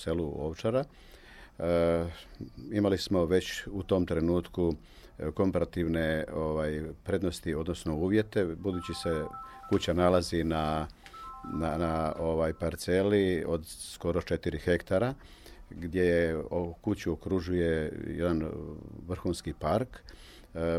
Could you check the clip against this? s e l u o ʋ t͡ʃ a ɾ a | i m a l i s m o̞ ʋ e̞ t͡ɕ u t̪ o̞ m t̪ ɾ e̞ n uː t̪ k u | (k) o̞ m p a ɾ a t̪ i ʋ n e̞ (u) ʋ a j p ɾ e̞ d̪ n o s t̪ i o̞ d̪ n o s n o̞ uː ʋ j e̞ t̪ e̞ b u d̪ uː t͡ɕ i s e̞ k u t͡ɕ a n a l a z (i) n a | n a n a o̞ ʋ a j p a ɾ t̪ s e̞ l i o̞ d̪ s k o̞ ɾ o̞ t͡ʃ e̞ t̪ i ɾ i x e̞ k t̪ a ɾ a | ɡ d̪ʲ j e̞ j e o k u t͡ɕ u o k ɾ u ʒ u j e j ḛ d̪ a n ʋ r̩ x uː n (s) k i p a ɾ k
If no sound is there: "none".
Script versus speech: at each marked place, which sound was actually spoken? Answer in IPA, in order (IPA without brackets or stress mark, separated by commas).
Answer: k, o, i, s